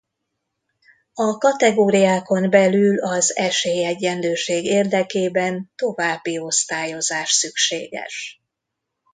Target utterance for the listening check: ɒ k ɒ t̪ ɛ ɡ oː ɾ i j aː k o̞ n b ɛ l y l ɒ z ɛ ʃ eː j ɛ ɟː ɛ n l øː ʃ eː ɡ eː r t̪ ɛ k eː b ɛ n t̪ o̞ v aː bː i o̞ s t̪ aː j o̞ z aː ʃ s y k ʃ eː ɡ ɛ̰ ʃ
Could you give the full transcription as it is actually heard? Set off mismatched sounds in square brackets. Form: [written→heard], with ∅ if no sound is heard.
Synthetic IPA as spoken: ɒ k ɒ t̪ ɛ ɡ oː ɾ i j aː k o̞ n b ɛ l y l ɒ z ɛ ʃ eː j ɛ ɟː ɛ n l øː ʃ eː ɡ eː r [t̪→d̪] ɛ k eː b ɛ n t̪ o̞ v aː bː i o̞ s t̪ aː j o̞ z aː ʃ s y k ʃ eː ɡ ɛ̰ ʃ